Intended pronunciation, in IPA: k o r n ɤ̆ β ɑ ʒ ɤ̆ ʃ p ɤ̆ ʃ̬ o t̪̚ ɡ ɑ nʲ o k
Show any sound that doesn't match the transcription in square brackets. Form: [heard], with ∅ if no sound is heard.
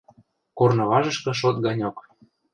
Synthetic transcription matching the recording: k o r n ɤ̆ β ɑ ʒ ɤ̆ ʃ [k] ɤ̆ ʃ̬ o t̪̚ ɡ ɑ nʲ o k